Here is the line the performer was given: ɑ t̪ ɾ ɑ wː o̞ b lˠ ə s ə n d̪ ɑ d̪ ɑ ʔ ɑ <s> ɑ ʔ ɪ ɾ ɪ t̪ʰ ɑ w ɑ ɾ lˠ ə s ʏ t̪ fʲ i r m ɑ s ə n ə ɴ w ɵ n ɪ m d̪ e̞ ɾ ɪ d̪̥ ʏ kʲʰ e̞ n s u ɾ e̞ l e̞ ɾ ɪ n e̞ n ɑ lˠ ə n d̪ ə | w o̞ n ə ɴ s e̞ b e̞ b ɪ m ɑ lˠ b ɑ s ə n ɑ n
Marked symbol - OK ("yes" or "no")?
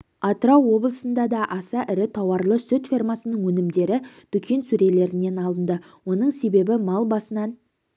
yes